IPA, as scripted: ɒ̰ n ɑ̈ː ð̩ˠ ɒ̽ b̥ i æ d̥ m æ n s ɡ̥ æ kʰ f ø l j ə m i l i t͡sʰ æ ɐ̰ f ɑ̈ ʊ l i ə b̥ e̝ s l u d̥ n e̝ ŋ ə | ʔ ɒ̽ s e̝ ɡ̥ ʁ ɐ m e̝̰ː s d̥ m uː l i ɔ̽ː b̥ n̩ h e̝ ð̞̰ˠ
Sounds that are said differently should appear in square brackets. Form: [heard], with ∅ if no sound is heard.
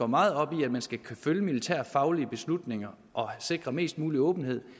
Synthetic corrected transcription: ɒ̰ [m] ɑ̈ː ð̩ˠ ɒ̽ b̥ i æ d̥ m æ n s ɡ̥ æ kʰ f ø l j ə m i l i t͡sʰ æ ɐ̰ f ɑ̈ ʊ l i ə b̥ e̝ s l u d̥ n e̝ ŋ [ɐ] | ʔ ɒ̽ s e̝ ɡ̥ ʁ ɐ m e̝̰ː s d̥ m uː l i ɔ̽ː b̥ n̩ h e̝ ð̞̰ˠ